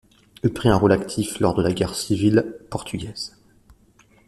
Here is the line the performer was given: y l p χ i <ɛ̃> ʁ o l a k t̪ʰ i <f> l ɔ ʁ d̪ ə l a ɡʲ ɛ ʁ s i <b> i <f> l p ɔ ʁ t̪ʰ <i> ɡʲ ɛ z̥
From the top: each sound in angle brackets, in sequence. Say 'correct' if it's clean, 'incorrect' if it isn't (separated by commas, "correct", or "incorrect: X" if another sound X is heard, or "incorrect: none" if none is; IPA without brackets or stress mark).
correct, correct, incorrect: v, incorrect: none, incorrect: y